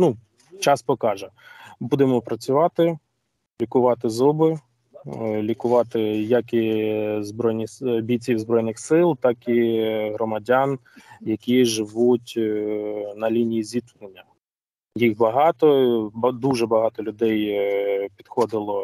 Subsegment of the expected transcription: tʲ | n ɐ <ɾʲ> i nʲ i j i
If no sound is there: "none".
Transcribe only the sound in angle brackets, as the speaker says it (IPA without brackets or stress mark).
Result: lʲ